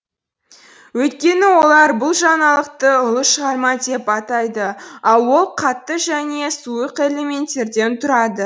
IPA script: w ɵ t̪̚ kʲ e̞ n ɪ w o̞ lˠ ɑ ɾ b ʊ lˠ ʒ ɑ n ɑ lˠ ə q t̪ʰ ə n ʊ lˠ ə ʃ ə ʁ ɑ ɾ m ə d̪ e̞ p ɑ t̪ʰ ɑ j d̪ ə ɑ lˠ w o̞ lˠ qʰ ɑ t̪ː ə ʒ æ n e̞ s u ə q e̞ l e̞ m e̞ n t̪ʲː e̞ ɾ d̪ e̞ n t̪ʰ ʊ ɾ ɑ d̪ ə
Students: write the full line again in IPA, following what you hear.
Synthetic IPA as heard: w ɵ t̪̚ kʲ e̞ n ɪ w o̞ lˠ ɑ ɾ b ʊ lˠ ʒ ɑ n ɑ lˠ ə q t̪ ə ʊ lˠ ə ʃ ə ʁ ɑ ɾ m ɑ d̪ e̞ p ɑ t̪ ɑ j d̪ ə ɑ lˠ w o̞ lˠ qʰ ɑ t̪ː ə ʒ æ n e̞ s u ə q e̞ l e̞ m e̞ n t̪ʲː e̞ ɾ d̪ e̞ n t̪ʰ ʊ ɾ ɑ d̪ ə